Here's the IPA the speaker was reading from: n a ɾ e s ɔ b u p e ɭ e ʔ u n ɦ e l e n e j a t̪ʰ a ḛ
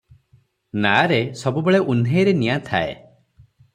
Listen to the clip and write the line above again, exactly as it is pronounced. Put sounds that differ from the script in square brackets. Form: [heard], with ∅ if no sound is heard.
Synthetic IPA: n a ɾ e s ɔ b u [b] e ɭ e ʔ u n ɦ e [ɾ] e n [i] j a t̪ʰ a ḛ